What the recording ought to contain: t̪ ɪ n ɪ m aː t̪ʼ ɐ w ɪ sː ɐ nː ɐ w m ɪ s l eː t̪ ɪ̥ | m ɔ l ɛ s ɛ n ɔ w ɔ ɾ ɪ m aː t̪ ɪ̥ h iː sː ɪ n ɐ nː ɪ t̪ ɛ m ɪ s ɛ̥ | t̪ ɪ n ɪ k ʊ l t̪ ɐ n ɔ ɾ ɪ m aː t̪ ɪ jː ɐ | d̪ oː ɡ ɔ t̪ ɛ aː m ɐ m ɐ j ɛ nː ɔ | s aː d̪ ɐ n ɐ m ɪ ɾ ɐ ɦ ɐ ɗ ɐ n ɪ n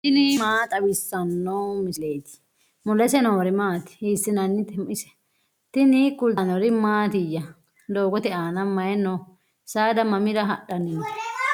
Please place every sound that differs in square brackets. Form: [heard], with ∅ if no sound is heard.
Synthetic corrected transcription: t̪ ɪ n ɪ m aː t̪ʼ ɐ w ɪ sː ɐ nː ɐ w m ɪ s l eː t̪ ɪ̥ | m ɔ l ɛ s ɛ n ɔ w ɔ ɾ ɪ m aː t̪ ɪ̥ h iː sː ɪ n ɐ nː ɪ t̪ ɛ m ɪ s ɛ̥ | t̪ ɪ n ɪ k ʊ l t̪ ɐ n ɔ ɾ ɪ m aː t̪ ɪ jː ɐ | d̪ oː ɡ ɔ t̪ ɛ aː [n] ɐ m ɐ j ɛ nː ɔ | s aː d̪ ɐ [m] ɐ m ɪ ɾ ɐ ɦ ɐ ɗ ɐ n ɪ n